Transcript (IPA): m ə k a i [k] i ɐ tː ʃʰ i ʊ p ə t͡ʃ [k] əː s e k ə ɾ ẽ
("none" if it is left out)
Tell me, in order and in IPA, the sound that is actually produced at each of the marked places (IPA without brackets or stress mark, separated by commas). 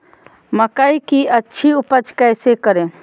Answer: k, k